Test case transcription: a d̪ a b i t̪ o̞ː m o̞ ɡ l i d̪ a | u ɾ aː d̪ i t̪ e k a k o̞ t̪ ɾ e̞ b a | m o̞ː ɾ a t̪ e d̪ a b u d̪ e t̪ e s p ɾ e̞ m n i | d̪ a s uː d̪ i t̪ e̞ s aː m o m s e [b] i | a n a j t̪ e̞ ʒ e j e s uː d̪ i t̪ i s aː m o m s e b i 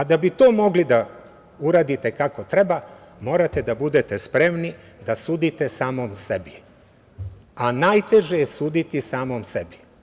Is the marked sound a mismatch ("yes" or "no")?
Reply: no